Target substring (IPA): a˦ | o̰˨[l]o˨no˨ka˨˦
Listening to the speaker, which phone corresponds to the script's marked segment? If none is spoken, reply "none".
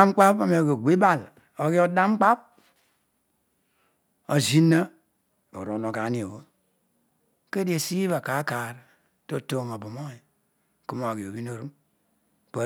ɾ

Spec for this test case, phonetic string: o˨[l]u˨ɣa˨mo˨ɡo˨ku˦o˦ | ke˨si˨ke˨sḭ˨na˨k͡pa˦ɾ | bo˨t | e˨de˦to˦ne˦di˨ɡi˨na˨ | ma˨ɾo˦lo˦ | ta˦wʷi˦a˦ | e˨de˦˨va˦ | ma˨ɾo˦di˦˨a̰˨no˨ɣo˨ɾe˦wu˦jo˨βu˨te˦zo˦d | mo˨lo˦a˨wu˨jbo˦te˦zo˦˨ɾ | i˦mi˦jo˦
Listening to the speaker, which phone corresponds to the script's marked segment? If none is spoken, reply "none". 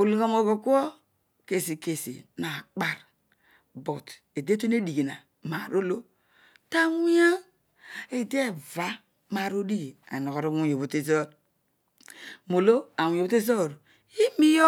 l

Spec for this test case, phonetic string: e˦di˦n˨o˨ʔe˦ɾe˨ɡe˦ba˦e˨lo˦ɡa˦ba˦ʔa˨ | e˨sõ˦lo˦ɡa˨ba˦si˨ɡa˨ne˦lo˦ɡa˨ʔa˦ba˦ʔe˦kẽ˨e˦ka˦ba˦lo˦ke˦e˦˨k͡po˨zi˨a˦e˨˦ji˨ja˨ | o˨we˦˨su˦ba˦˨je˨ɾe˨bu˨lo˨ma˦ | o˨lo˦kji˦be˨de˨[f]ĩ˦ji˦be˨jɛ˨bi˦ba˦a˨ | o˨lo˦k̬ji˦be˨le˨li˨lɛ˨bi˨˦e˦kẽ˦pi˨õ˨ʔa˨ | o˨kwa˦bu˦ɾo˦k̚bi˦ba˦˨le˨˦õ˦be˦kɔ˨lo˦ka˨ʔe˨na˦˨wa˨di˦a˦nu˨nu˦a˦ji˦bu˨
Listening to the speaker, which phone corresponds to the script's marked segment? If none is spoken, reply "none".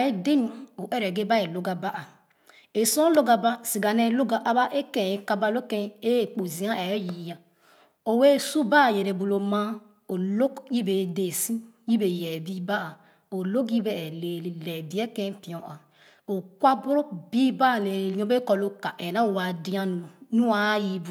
s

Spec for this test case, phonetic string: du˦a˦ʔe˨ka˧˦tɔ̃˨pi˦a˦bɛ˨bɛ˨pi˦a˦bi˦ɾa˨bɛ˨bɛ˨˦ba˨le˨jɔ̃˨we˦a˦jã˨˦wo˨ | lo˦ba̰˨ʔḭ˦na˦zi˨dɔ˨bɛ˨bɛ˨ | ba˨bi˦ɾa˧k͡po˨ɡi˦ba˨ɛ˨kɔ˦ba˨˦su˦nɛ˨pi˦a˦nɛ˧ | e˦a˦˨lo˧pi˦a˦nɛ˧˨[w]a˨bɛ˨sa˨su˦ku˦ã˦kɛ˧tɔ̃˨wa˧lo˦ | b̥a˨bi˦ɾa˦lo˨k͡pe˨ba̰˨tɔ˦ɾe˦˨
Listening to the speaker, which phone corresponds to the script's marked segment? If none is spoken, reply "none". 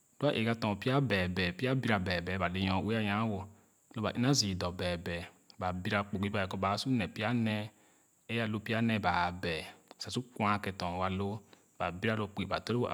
b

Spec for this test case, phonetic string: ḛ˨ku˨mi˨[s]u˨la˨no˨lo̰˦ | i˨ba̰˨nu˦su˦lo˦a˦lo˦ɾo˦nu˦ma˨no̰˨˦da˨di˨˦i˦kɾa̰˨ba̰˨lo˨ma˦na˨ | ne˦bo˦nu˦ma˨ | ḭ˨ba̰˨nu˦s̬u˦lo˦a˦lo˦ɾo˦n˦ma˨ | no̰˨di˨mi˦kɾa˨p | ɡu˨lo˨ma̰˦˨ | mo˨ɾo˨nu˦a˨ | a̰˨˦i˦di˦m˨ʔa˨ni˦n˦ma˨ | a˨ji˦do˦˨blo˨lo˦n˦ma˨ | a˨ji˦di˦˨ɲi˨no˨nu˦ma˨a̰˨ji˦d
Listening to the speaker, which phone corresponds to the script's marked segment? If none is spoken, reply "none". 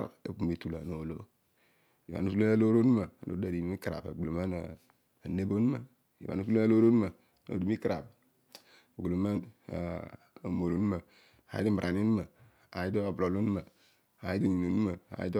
t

